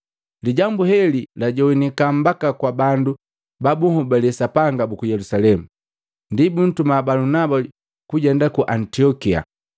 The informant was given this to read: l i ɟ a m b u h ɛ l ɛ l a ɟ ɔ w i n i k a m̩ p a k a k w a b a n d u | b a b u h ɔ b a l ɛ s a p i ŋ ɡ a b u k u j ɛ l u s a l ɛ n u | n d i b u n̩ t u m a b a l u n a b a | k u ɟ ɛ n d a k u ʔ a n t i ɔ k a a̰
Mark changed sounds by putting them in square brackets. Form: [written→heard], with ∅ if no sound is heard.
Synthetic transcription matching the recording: l i ɟ a m b u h ɛ l [ɛ→i] l a ɟ ɔ w i n i k a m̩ [p→b] a k a k w a b a n d u | b a b u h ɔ b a l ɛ s a p [i→a] ŋ ɡ a b u k u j ɛ l u s a l ɛ [n→m] u | n d i b u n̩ t u m a b a l u n a b a | k u ɟ ɛ n d a k u ʔ a n t i ɔ k [a→i] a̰